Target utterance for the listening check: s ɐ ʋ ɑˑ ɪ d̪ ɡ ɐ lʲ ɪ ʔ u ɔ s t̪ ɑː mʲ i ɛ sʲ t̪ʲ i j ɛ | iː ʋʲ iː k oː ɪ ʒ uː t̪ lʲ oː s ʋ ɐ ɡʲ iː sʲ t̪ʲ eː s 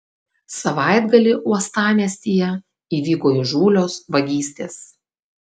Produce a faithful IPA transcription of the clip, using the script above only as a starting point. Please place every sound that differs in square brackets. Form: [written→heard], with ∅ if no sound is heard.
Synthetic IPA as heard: s ɐ ʋ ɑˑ ɪ d̪ ɡ ɐ lʲ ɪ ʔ u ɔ s t̪ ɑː mʲ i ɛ sʲ t̪ʲ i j ɛ | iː ʋʲ iː k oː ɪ ʒ uː [t̪→∅] lʲ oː s ʋ ɐ ɡʲ iː sʲ t̪ʲ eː s